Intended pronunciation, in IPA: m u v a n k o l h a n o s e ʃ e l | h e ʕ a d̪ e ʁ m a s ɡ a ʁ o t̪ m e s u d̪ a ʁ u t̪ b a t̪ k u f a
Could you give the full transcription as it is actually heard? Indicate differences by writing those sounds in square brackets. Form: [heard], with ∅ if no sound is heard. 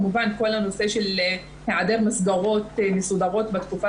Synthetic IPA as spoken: m u v a n k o l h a n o s e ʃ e l | h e ʕ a d̪ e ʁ m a s ɡ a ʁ o t̪ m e s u d̪ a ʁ [o] t̪ b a t̪ k u f a